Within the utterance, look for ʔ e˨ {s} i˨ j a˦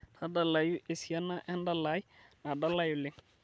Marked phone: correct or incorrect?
correct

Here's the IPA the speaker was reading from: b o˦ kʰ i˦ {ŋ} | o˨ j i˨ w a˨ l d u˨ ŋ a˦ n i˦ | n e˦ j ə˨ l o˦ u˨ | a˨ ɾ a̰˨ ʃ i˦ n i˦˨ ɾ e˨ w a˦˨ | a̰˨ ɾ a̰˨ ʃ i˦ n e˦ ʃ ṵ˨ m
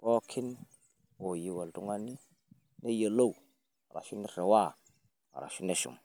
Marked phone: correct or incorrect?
incorrect: n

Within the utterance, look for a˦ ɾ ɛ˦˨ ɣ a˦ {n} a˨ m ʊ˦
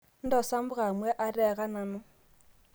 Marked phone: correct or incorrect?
correct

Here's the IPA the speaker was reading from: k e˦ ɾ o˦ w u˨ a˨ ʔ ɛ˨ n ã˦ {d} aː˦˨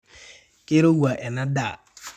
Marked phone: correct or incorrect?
correct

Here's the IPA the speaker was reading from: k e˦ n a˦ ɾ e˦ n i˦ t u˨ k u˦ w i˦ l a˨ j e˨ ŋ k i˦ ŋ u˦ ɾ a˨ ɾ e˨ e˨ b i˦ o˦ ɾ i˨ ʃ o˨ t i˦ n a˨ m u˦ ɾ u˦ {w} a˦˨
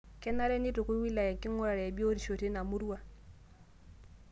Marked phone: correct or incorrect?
correct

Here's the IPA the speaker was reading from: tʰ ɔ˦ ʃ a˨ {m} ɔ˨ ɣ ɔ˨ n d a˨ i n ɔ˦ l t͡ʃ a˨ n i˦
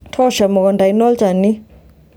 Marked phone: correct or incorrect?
correct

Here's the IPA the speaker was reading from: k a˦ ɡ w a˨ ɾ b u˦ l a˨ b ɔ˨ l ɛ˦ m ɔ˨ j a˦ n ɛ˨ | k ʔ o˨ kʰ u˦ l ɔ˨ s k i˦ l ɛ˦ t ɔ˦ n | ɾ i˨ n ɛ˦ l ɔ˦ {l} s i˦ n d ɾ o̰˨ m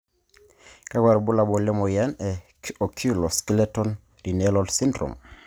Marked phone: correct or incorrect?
correct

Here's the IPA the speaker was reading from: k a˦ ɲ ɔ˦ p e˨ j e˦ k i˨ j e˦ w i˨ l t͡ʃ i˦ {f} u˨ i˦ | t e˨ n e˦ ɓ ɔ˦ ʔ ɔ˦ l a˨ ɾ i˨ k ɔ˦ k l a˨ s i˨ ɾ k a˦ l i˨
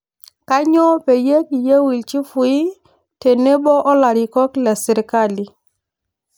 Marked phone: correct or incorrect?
correct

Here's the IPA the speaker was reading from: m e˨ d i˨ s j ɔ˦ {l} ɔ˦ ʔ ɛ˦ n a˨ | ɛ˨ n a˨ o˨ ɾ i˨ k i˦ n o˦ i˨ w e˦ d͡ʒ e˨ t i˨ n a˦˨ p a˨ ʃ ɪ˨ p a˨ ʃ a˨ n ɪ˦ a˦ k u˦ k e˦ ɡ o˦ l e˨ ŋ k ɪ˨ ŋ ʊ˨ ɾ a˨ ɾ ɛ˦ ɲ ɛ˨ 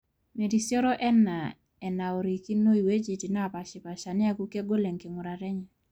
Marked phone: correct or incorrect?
incorrect: ɾ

